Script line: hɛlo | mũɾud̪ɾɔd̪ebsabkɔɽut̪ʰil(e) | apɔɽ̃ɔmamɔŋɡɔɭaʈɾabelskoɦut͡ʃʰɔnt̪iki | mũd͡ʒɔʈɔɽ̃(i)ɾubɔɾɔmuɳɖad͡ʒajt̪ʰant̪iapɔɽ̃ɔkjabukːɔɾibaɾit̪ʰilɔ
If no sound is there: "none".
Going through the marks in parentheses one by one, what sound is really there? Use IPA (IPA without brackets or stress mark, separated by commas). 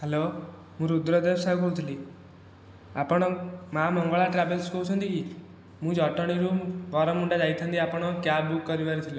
i, i